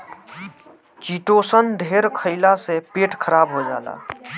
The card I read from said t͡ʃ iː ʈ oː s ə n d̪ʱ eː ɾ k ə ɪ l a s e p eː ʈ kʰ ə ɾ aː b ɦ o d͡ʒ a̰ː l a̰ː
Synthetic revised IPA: t͡ʃ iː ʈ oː s ə n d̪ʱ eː ɾ kʰ ə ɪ l a s e p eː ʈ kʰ ə ɾ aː b ɦ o d͡ʒ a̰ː l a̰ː

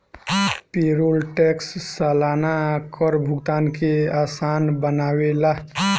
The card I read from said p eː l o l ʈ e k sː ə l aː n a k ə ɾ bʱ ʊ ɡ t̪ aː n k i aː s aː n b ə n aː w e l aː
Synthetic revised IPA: p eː ɾ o l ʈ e k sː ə l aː n a k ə ɾ bʱ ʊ ɡ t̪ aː n k e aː s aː n b ə n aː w e l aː

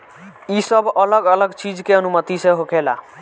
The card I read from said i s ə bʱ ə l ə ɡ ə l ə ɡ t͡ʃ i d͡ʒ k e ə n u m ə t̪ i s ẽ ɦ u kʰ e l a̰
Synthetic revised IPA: i s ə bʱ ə l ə ɡ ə l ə ɡ t͡ʃ i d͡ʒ k e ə n u m ə t̪ i s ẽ ɦ o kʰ e l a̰

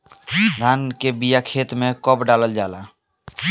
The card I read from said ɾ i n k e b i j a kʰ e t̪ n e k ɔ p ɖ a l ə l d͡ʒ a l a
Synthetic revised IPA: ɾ a n k e b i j a kʰ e t̪ m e k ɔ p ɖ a l ə l d͡ʒ a l a

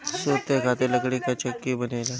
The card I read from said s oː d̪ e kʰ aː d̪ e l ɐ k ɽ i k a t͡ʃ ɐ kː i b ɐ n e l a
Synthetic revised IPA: s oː t̪ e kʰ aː t̪ e l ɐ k ɽ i k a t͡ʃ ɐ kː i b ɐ n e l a

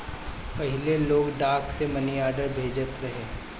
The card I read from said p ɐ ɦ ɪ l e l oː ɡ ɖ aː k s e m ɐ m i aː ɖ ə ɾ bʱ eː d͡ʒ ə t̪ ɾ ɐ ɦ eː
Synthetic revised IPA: p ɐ ɦ ɪ l e l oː ɡ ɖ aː k s e m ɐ n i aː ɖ ə ɾ bʱ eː d͡ʒ ə t̪ ɾ ɐ ɦ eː

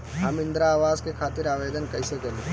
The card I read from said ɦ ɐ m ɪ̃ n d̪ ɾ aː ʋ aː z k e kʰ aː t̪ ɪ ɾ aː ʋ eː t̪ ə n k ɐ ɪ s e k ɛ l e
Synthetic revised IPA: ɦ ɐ m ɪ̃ n d̪ ɾ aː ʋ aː z k e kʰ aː t̪ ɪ ɾ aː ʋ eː d̪ ə n k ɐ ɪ s e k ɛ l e

